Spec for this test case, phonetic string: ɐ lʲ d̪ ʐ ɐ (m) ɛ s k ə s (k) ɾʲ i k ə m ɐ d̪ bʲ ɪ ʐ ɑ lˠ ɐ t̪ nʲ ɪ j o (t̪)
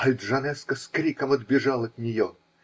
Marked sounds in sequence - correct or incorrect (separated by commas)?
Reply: incorrect, correct, incorrect